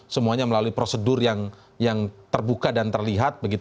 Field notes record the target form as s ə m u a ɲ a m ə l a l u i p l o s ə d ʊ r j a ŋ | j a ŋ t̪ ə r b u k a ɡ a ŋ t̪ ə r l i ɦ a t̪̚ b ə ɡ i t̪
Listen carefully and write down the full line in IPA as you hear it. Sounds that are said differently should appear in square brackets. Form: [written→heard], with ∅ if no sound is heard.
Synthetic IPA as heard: s ə m u a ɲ a m ə l a l u i p [l→ɾ] o s ə d ʊ r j a ŋ | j a ŋ t̪ ə r b u k a [ɡ→d] a [ŋ→n] t̪ ə r l i ɦ a t̪̚ b ə ɡ i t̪

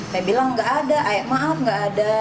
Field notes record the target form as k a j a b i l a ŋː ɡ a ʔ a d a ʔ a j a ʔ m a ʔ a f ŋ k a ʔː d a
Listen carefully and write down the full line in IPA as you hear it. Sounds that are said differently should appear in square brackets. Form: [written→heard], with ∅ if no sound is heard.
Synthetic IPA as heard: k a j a b i l a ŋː ɡ a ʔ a d a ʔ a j a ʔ m a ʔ a f ŋ [k→ɡ] a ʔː d a

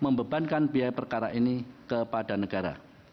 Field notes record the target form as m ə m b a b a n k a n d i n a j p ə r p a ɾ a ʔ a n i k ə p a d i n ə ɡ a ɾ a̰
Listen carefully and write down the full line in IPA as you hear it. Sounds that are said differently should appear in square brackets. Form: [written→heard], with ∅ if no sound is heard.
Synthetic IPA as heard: m ə m b [a→ə] b a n k a n [d→b] i [n→∅] a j p ə r [p→k] a ɾ a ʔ [a→i] n i k ə p a d [i→a] n ə ɡ a ɾ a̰

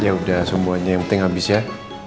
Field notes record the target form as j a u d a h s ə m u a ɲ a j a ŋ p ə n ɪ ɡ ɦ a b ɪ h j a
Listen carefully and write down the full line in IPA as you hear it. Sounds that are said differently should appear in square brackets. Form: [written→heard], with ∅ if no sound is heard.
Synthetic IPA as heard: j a u d a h s ə m u a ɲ a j a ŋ p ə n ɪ [ɡ→ŋ] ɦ a b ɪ [h→s] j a

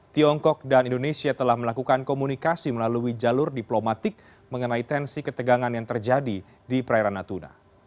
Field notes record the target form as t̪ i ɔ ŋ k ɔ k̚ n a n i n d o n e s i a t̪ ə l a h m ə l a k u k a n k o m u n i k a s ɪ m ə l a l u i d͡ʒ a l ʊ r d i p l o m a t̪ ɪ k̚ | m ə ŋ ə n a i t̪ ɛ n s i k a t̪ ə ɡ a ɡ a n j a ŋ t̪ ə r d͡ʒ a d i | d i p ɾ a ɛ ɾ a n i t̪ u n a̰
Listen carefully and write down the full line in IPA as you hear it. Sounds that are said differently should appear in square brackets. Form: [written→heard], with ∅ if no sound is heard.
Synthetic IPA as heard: t̪ i ɔ ŋ k ɔ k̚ [n→d] a n i n d o n e s i a t̪ ə l a h m ə l a k u k a n k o m u n i k a s [ɪ→i] m ə l a l u i d͡ʒ a l ʊ r d i p l o m a t̪ ɪ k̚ | m ə ŋ ə n a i t̪ ɛ n s i k [a→ə] t̪ ə ɡ a [ɡ→ŋ] a n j a ŋ t̪ ə r d͡ʒ a d i | d i p ɾ a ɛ ɾ a n [i→a] t̪ u n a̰

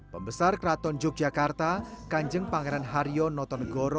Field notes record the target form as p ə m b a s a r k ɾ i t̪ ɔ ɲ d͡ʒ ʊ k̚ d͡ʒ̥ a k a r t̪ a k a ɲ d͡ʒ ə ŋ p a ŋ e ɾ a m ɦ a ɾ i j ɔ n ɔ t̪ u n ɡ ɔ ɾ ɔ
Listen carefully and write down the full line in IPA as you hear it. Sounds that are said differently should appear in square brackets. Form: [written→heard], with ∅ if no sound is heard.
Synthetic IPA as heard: p ə m b [a→ə] s a r k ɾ [i→a] t̪ ɔ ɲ d͡ʒ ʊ k̚ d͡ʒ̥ a k a r t̪ a k a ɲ d͡ʒ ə ŋ p a ŋ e ɾ a [m→n] ɦ a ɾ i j ɔ n ɔ t̪ [u→ɔ] n ɡ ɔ ɾ ɔ

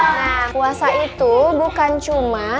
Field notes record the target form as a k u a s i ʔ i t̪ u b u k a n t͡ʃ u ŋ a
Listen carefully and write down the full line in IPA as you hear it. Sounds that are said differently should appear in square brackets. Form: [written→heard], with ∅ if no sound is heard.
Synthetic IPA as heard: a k u a s [i→a] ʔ i t̪ u b u k a n t͡ʃ u [ŋ→m] a

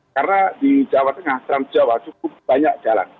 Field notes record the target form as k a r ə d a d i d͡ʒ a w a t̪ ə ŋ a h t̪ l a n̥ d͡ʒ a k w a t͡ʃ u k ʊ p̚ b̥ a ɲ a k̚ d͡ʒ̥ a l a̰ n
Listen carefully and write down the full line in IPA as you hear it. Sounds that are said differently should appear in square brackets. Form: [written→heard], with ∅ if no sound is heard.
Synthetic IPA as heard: k a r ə [d→n] a d i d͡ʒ a w a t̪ ə ŋ a h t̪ [l→ɾ] a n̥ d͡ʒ a [k→∅] w a t͡ʃ u k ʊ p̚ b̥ a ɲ a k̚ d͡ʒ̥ a l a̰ n

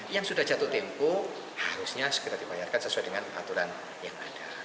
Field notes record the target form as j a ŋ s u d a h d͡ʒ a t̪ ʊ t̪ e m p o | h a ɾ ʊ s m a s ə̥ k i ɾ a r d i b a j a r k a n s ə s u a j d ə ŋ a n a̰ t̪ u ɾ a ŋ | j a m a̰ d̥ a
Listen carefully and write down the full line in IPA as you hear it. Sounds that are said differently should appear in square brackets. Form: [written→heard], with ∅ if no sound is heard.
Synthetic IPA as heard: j a ŋ s u d a h d͡ʒ a t̪ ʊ t̪ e m p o | h a ɾ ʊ s [m→ɲ] a s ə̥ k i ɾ a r d i b a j a r k a n s ə s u a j d ə ŋ a n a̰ t̪ u ɾ a [ŋ→n] | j a [m→ŋ] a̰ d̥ a

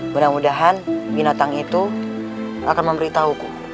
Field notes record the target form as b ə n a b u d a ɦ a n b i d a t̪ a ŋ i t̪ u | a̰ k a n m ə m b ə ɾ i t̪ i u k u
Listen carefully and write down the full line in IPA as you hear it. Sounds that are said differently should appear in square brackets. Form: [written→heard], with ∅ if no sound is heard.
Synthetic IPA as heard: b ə n a [b→m] u d a ɦ a n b i [d→n] a t̪ a ŋ i t̪ u | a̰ k a n m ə m b ə ɾ i t̪ [i→a] u k u

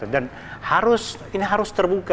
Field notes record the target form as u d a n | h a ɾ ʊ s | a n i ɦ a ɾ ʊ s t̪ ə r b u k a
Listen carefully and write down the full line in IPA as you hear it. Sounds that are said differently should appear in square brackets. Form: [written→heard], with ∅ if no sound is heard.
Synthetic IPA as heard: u d a n | h a ɾ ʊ s | [a→i] n i ɦ a ɾ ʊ s t̪ ə r b u k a

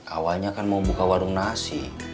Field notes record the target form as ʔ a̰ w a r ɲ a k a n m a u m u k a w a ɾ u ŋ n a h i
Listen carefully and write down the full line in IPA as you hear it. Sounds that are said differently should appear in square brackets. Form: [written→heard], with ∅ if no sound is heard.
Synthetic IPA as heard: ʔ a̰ w a [r→l] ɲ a k a n m a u [m→b] u k a w a ɾ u ŋ n a [h→s] i

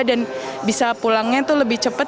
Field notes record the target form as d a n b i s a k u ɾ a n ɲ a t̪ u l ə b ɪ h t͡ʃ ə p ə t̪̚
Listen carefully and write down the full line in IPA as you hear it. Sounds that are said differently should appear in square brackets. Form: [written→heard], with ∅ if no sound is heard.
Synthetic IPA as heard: d a n b i s a [k→p] u [ɾ→l] a [n→ŋ] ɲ a t̪ u l ə b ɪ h t͡ʃ ə p ə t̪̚

